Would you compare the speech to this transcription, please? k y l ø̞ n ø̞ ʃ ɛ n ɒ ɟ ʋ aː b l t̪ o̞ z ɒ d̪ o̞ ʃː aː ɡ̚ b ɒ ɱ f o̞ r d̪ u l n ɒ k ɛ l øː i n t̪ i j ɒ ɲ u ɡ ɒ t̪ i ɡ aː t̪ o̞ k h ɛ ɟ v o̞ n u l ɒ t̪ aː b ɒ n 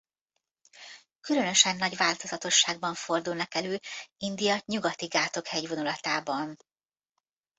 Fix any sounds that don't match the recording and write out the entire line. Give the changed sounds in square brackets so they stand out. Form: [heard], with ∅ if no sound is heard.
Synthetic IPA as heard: k y l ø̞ n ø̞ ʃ ɛ [nː] ɒ ɟ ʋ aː [∅] l t̪ o̞ z ɒ [t̪] o̞ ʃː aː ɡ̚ b ɒ ɱ f o̞ r d̪ u l n ɒ k ɛ l øː i n [d̪] i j ɒ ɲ u ɡ ɒ t̪ i ɡ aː t̪ o̞ k h ɛ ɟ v o̞ n u l ɒ t̪ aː b ɒ n